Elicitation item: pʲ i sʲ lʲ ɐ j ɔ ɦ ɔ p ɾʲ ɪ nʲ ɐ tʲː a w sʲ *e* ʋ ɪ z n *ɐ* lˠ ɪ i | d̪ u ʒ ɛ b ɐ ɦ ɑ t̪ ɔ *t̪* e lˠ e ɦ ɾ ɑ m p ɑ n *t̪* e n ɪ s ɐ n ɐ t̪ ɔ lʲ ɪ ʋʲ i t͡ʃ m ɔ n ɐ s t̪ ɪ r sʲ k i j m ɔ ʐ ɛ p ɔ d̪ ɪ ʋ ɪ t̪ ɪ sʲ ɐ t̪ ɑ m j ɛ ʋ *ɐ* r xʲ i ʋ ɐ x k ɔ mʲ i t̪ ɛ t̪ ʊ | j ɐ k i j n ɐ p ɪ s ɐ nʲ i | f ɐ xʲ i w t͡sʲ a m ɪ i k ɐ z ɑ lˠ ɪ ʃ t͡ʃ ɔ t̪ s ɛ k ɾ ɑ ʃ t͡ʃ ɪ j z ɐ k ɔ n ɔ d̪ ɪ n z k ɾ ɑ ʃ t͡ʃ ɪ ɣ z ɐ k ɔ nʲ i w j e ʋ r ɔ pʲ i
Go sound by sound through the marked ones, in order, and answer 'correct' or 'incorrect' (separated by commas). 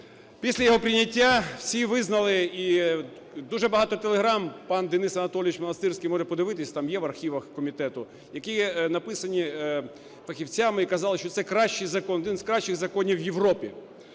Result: incorrect, correct, correct, incorrect, correct